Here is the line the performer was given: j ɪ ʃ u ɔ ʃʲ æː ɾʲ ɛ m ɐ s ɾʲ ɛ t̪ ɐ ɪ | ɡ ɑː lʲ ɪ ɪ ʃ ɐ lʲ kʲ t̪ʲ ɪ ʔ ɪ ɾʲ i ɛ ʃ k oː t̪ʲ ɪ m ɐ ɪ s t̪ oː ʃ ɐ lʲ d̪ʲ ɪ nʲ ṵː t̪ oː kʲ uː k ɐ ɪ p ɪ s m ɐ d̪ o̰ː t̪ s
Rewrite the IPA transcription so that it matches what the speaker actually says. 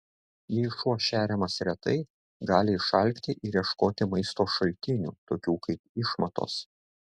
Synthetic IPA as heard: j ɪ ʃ u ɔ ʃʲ æː ɾʲ ɛ m ɐ s ɾʲ ɛ t̪ ɐ ɪ | ɡ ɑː lʲ ɪ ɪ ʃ ɐ lʲ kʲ t̪ʲ ɪ ʔ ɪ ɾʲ i ɛ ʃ k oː t̪ʲ ɪ m ɐ ɪ s t̪ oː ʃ ɐ lʲ t̪ʲ ɪ nʲ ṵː t̪ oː kʲ uː k ɐ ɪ p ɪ ʃ m ɐ t̪ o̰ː s

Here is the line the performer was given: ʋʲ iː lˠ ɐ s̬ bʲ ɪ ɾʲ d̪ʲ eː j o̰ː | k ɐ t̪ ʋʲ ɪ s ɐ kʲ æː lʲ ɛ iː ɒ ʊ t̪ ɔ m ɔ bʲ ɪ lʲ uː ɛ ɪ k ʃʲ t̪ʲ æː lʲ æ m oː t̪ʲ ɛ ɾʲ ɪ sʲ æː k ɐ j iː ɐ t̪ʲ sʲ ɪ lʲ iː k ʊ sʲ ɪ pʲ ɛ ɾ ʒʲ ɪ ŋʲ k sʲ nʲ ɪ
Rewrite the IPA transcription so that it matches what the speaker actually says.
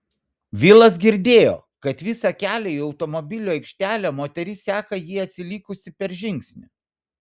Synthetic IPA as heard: ʋʲ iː lˠ ɐ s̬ ɡʲ ɪ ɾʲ d̪ʲ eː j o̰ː | k ɐ t̪ ʋʲ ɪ s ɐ kʲ æː lʲ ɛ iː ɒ ʊ t̪ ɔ m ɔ bʲ ɪ lʲ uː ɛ ɪ k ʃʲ t̪ʲ æː lʲ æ m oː t̪ʲ ɛ ɾʲ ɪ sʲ æː k ɐ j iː ɐ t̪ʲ sʲ ɪ lʲ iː k ʊ sʲ ɪ pʲ ɛ ɾ ʒʲ ɪ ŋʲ k sʲ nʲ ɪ

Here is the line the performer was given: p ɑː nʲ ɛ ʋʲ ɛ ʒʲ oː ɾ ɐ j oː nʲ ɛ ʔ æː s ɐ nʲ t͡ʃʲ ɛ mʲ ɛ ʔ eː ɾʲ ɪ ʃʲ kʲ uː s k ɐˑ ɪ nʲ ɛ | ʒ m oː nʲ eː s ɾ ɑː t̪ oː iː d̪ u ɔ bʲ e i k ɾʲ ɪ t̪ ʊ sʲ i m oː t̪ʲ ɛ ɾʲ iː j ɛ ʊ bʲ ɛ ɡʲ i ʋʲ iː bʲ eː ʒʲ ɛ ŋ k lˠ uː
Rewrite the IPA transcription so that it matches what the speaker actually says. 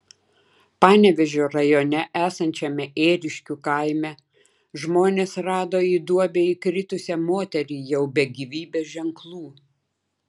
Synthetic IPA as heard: p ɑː nʲ ɛ ʋʲ ɛ ʒʲ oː ɾ ɐ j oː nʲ ɛ ʔ æː s ɐ nʲ t͡ʃʲ ɛ mʲ ɛ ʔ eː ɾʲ ɪ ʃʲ kʲ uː k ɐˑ ɪ mʲ ɛ | ʒ m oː nʲ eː s ɾ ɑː d̪ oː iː d̪ u ɔ bʲ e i k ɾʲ ɪ t̪ ʊ sʲ ɛ m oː t̪ʲ ɛ ɾʲ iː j ɛ ʊ bʲ ɛ ɡʲ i ʋʲ iː bʲ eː ʒʲ ɛ ŋ k lˠ uː

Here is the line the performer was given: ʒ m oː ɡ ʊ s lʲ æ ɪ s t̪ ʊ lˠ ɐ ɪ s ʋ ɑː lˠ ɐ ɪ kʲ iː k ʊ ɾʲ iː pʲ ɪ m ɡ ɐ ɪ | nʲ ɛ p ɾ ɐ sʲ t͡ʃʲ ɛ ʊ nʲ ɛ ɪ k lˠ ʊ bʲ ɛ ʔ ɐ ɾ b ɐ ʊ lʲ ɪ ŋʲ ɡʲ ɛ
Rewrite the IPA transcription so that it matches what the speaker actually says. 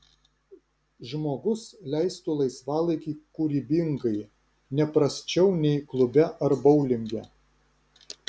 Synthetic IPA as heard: ʒ m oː ɡ ʊ s lʲ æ ɪ s t̪ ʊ lˠ ɐ ɪ s ʋ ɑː lˠ ɐ ɪ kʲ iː k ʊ ɾʲ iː bʲ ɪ ŋ ɡ ɐ ɪ | nʲ ɛ p ɾ ɐ sʲ t͡ʃʲ ɛ ʊ nʲ ɛ ɪ k lˠ ʊ bʲ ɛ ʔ ɐ ɾ b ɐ ʊ lʲ ɪ ŋʲ ɡʲ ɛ

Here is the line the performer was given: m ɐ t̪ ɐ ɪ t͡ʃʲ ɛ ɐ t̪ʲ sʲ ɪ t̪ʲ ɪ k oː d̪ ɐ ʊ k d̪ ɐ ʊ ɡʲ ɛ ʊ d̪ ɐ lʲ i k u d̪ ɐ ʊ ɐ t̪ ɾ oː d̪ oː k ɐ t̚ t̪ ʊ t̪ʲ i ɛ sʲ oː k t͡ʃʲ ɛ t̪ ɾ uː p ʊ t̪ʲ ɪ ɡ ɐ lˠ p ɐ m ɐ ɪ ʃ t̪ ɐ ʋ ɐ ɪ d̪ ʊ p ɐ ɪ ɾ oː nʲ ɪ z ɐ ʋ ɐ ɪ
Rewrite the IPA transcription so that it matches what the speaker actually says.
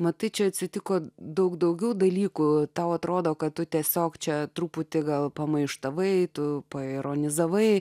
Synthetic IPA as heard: m ɐ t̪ ɐ ɪ t͡ʃʲ ɛ ɐ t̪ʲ sʲ ɪ t̪ʲ ɪ k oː d̪ ɐ ʊ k d̪ ɐ ʊ ɡʲ ɛ ʊ d̪ ɐ lʲ iː k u t̪ ɐ ʊ ɐ t̪ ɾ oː d̪ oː k ɐ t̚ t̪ ʊ t̪ʲ i ɛ sʲ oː k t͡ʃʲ ɛ t̪ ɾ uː p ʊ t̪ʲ ɪ ɡ ɐ lˠ p ɐ m ɐ ɪ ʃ t̪ ɐ ʋ ɐ ɪ t̪ ʊ p ɐ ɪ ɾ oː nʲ ɪ z ɐ ʋ ɐ ɪ

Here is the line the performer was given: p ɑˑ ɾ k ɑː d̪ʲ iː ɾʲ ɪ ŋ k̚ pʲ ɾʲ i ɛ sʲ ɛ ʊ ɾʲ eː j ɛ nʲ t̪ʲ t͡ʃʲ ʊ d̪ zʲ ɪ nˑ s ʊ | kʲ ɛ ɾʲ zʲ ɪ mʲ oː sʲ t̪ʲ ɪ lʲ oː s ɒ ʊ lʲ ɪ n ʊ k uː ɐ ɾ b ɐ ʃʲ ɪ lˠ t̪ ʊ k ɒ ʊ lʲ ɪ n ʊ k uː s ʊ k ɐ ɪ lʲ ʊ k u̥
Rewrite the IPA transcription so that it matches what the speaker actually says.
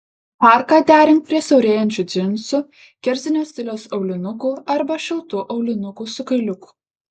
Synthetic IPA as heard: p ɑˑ ɾ k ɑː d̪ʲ æː ɾʲ ɪ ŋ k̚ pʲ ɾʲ i ɛ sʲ ɛ ʊ ɾʲ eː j ɛ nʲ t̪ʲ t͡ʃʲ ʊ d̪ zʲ ɪ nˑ s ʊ | kʲ ɛ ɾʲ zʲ ɪ nʲ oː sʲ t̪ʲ ɪ lʲ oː s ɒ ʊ lʲ ɪ n ʊ k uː ɐ ɾ b ɐ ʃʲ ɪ lˠ t̪ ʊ ʔ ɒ ʊ lʲ ɪ n ʊ k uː s ʊ k ɐ ɪ lʲ ʊ k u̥

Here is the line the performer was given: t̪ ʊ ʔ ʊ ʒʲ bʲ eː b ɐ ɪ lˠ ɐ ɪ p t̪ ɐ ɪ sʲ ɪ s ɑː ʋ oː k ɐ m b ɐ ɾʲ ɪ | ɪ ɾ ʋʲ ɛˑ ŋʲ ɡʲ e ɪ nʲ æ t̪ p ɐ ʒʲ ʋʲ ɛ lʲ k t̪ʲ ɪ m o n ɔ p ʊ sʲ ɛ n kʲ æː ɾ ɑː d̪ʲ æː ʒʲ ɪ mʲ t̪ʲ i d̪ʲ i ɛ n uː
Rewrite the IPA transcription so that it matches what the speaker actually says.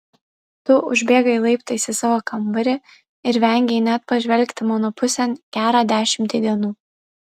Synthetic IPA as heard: t̪ ʊ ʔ ʊ ʒʲ bʲ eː ɡ ɐ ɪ lˠ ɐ ɪ p t̪ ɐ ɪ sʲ ɪ s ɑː ʋ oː k ɐ m b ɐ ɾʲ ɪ | ɪ ɾ ʋʲ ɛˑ ŋʲ ɡʲ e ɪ nʲ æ t̪ p ɐ ʒʲ ʋʲ ɛ lʲ k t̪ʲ ɪ m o n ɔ p ʊ sʲ ɛ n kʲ æː ɾ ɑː d̪ʲ æː ʃʲ ɪ mʲ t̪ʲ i d̪ʲ i ɛ n uː

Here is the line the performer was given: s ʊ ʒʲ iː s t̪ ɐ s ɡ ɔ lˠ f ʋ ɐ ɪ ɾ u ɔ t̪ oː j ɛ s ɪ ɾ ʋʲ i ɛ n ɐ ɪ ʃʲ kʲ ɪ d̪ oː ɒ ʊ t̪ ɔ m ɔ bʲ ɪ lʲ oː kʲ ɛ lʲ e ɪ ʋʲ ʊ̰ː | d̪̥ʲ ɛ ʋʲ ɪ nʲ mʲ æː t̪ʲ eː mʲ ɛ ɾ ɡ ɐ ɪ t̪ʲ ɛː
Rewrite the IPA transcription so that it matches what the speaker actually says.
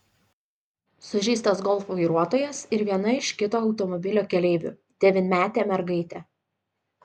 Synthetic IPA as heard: s ʊ ʒʲ iː s t̪ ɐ s ɡ ɔ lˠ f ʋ ɐ ɪ ɾ u ɔ t̪ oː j ɛ s ɪ ɾ ʋʲ i ɛ n ɐ ɪ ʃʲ kʲ ɪ t̪ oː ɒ ʊ t̪ ɔ m ɔ bʲ ɪ lʲ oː kʲ ɛ lʲ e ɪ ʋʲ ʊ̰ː | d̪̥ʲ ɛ ʋʲ ɪ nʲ mʲ æː t̪ʲ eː mʲ ɛ ɾ ɡ ɐ ɪ t̪ʲ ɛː

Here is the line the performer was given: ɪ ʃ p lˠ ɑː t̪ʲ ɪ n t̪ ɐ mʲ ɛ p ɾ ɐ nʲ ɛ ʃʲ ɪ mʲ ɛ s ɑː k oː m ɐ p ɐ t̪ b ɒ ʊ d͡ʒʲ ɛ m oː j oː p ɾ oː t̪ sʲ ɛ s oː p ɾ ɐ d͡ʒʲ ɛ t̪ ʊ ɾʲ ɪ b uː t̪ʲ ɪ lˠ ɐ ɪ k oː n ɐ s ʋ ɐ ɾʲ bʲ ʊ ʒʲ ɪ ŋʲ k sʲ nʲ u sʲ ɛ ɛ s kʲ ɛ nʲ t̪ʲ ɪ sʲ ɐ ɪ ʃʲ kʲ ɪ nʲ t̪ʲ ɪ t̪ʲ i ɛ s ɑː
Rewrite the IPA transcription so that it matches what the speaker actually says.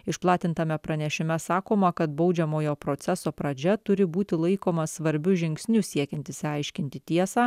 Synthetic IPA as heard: ɪ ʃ p lˠ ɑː t̪ʲ ɪ n t̪ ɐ mʲ ɛ p ɾ ɐ nʲ ɛ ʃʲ ɪ mʲ ɛ s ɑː k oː m ɐ k ɐ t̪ b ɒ ʊ d͡ʒʲ ɛ m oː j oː p ɾ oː t̪ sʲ ɛ s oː p ɾ ɐ d͡ʒʲ ɛ t̪ ʊ ɾʲ ɪ b uː t̪ʲ ɪ lˠ ɐ ɪ k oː m ɐ s ʋ ɐ ɾʲ bʲ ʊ ʒʲ ɪ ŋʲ k sʲ nʲ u sʲ i ɛ kʲ ɛ nʲ t̪ʲ ɪ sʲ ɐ ɪ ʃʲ kʲ ɪ nʲ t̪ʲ ɪ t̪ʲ i ɛ s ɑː

